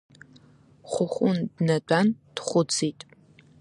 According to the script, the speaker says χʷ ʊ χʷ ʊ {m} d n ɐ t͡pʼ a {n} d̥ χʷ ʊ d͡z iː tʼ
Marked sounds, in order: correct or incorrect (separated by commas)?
incorrect, correct